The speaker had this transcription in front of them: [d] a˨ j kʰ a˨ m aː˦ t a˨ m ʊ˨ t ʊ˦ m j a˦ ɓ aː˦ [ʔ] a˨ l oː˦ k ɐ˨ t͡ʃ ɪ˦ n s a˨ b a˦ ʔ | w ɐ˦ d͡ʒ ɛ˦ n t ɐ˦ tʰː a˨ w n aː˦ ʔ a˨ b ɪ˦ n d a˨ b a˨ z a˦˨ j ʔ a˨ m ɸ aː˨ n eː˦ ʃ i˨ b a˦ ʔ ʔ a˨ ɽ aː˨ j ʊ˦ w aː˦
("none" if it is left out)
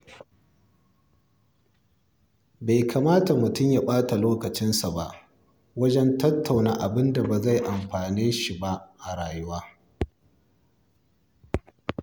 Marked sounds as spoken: b, t

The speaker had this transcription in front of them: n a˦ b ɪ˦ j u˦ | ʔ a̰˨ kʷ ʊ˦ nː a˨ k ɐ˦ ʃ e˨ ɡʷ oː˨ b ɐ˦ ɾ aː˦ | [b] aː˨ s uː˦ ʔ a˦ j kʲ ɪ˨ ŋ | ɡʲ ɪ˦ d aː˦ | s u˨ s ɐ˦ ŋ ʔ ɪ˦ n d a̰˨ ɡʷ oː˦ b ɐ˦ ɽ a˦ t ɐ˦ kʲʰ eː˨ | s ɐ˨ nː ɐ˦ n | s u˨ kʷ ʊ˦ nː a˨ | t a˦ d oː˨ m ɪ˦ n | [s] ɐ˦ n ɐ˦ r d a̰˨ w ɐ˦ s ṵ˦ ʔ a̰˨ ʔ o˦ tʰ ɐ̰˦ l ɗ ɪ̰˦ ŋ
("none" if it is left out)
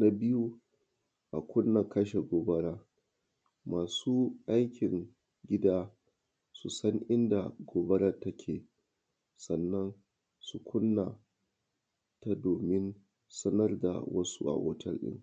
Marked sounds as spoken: m, s

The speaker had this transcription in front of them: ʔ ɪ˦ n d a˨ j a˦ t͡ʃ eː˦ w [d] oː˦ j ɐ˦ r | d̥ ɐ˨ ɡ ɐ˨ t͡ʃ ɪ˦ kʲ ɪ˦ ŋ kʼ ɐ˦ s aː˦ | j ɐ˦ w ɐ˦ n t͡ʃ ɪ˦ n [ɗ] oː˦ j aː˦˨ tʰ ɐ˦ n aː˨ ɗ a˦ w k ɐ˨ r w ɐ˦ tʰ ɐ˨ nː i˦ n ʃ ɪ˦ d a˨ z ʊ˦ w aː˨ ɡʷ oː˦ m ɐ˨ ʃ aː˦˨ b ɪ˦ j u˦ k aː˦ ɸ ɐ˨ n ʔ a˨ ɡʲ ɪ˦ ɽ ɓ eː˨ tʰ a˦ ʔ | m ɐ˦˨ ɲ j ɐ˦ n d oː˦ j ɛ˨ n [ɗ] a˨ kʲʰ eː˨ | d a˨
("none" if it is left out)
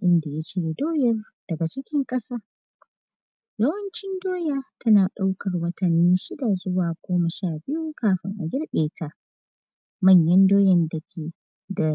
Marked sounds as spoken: d, d, d

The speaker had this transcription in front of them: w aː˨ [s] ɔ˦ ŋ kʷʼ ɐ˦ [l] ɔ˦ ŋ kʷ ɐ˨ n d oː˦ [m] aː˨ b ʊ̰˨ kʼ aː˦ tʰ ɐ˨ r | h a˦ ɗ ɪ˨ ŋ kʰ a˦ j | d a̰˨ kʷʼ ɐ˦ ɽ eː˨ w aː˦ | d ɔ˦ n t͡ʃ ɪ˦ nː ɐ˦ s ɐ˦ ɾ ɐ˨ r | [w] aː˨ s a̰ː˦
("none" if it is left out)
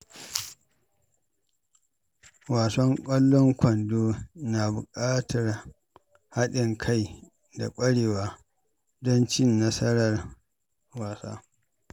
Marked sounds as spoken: s, lː, n, w

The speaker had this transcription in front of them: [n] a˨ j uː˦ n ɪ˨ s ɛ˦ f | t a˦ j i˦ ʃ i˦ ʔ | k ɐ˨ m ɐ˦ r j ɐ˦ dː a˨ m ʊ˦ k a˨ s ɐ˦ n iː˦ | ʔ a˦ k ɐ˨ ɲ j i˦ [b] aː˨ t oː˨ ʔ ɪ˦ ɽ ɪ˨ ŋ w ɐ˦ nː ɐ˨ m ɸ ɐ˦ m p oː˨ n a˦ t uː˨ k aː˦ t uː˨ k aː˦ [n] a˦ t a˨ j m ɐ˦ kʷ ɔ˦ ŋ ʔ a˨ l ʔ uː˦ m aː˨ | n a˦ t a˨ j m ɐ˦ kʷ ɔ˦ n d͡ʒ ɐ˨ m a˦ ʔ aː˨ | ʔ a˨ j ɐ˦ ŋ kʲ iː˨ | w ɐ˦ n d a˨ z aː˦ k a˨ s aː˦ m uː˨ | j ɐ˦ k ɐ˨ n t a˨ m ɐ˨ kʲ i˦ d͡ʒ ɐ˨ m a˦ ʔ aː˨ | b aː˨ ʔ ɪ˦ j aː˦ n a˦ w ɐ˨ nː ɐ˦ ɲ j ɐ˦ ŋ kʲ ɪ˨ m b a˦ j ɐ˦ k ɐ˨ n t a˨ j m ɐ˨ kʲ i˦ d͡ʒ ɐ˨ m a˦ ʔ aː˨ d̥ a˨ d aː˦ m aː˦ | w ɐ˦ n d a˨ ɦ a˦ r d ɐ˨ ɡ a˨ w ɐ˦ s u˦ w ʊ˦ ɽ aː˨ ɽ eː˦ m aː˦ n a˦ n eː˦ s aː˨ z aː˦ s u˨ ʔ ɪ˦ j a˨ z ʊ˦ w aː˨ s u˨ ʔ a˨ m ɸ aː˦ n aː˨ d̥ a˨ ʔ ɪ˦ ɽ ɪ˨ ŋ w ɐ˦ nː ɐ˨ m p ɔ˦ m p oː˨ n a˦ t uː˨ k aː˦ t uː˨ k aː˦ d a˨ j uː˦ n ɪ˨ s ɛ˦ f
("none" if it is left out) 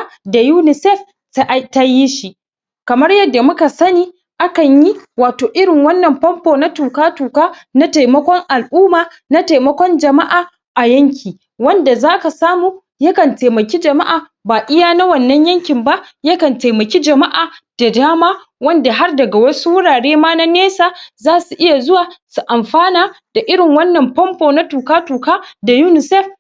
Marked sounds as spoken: d, w, n

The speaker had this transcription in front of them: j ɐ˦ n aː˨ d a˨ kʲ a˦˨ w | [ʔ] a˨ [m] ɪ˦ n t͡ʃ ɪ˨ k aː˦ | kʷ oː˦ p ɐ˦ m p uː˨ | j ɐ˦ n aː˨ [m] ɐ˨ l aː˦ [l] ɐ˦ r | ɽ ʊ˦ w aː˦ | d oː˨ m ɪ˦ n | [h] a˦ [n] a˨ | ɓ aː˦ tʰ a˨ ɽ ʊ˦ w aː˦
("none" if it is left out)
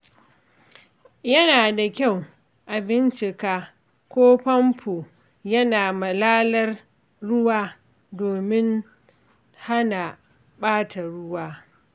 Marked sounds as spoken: ʔ, b, m, l, h, n

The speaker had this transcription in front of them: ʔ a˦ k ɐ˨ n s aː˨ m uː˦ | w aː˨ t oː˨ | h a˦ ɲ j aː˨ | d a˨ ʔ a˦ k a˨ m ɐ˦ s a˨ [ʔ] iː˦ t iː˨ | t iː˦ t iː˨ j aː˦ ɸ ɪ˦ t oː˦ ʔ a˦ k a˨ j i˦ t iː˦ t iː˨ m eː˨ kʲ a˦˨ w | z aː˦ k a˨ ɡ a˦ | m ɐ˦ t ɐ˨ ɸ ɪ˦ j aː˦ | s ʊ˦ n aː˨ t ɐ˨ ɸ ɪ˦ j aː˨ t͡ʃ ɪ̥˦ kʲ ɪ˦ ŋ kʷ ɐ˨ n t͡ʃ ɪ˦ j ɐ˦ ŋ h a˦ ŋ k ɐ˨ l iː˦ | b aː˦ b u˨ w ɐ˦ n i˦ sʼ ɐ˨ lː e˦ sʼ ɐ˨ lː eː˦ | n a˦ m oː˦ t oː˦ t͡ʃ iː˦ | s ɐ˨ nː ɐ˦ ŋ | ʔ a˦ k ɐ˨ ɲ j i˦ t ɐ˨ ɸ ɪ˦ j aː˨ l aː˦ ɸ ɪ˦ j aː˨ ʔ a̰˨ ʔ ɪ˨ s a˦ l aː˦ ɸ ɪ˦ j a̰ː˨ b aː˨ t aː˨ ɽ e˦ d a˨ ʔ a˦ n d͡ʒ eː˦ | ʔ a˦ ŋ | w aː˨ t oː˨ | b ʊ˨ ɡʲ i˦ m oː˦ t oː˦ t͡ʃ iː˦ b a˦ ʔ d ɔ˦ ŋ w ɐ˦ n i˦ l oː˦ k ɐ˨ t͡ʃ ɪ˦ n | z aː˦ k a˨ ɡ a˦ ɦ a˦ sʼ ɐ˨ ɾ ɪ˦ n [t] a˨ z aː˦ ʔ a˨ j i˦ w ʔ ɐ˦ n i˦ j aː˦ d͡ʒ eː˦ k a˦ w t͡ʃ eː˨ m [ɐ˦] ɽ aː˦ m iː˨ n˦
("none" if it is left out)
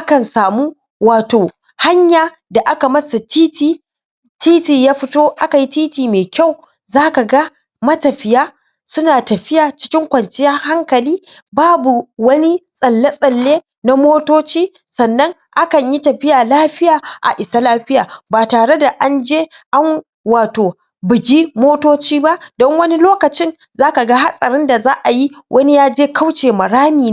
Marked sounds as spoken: t, d, ɐ˨

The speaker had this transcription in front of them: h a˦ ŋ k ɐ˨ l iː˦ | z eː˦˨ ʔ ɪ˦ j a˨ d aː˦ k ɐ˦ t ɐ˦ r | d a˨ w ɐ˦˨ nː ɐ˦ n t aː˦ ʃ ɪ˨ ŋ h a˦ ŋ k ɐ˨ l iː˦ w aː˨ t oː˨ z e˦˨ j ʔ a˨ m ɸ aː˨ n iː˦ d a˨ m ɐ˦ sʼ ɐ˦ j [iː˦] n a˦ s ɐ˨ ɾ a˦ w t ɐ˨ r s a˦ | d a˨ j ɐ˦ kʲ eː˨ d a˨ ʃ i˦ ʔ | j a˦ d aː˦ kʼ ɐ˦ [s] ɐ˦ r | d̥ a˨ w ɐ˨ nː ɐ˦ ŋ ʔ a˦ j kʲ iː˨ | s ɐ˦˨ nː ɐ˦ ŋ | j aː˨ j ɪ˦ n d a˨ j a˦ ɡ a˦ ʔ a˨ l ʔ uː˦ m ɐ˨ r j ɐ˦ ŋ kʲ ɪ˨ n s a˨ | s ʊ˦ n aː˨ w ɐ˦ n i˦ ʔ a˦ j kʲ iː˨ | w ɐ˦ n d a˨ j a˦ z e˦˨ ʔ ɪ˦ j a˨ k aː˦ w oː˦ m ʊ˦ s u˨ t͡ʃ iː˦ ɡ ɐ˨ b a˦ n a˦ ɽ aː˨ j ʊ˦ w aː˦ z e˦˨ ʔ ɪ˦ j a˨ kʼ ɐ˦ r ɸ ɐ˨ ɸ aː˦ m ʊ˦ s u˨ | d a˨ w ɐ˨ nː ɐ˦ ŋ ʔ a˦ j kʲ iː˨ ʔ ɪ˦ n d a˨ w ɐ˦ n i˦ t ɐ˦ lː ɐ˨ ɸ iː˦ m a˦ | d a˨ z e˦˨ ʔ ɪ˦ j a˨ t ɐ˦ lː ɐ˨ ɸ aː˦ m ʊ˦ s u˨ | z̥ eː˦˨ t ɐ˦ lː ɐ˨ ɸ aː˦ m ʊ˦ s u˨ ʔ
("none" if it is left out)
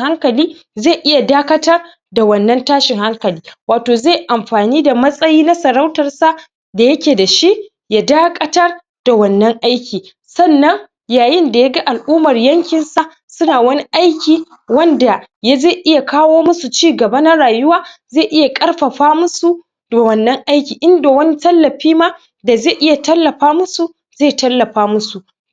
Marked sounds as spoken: iː˦, t

